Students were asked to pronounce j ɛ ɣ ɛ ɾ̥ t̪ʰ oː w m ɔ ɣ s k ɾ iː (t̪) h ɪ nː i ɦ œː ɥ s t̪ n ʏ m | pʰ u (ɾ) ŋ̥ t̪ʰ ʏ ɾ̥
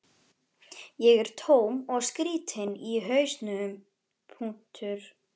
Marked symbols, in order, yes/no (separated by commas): yes, no